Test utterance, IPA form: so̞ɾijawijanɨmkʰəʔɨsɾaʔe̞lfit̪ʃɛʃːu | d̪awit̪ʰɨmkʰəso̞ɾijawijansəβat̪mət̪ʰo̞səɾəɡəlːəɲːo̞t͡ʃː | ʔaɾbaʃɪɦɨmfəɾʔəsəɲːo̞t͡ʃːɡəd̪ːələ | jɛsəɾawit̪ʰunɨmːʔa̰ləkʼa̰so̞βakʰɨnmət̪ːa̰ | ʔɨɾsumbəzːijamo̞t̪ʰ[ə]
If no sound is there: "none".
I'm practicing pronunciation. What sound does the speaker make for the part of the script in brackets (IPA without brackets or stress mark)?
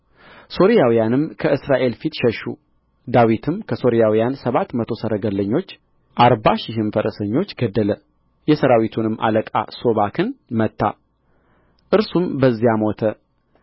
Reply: ə